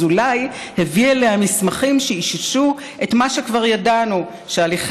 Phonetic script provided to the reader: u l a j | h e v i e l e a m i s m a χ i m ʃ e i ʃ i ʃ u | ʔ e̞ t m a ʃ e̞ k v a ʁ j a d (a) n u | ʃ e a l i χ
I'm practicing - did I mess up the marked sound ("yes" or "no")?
no